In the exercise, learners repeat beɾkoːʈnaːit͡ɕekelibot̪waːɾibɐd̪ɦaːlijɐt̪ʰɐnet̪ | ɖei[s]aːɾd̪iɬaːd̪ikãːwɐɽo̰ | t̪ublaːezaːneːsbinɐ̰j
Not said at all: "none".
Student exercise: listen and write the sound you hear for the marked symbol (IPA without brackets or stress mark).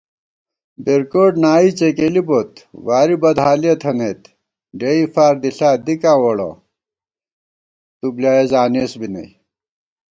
f